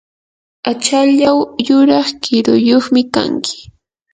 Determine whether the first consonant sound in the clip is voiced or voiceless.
voiceless